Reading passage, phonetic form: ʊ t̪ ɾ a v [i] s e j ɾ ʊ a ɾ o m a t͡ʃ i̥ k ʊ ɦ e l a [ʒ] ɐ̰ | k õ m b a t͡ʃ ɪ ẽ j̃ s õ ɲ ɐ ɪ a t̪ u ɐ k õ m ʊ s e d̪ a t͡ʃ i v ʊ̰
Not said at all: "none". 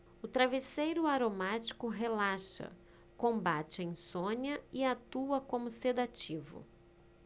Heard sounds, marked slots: e, ʃ

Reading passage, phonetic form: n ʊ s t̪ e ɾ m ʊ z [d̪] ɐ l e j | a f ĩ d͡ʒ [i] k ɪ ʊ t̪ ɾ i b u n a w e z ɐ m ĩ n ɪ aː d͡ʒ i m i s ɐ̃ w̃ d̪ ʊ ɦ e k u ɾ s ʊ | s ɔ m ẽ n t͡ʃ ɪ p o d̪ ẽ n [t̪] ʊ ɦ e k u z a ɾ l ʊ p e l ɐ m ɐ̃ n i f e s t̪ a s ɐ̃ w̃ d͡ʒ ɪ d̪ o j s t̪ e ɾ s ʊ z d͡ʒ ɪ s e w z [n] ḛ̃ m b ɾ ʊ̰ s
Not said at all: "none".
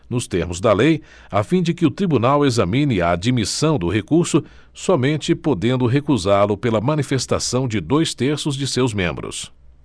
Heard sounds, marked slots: d̪, ɪ, d̪, m

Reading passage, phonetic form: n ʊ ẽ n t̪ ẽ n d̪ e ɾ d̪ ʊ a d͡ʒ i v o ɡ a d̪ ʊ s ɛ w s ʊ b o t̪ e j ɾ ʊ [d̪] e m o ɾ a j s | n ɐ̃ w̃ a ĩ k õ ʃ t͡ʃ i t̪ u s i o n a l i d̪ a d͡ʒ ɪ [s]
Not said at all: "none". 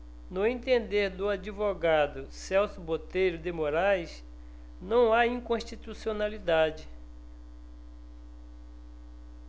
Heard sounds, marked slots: d̪, none

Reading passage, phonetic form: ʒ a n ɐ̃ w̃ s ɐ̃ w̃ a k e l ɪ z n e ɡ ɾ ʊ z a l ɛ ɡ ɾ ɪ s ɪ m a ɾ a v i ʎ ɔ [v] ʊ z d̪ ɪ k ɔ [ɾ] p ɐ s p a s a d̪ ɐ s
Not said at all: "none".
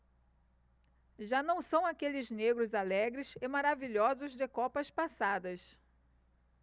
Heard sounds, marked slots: z, none

